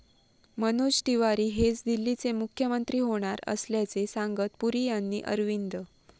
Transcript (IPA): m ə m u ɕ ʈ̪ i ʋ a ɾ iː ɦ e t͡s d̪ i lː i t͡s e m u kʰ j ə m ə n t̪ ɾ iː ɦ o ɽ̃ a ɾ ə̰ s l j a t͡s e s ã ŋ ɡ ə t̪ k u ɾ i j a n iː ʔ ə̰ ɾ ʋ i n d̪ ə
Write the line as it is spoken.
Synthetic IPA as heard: m ə n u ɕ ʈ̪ i ʋ a ɾ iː ɦ e t͡s d̪ i lː i t͡s e m u kʰ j ə m ə n t̪ ɾ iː ɦ o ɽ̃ a ɾ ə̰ s l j a t͡s e s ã ŋ ɡ ə t̪ p u ɾ i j a nː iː ʔ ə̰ ɾ ʋ i n d̪ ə